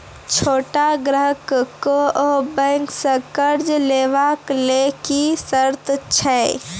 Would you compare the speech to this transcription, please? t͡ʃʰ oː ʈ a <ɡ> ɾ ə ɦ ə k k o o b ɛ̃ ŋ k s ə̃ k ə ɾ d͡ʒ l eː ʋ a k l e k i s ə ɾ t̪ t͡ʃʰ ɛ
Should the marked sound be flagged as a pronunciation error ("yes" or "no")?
no